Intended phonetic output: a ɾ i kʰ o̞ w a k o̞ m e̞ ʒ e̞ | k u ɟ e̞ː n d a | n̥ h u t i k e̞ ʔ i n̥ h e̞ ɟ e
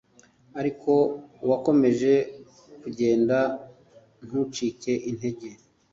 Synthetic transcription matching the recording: a ɾ i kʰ o̞ w a k o̞ m e̞ ʒ e̞ | k u ɟ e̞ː n d a | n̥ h u t͡ʃ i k e̞ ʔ i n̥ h e̞ ɟ e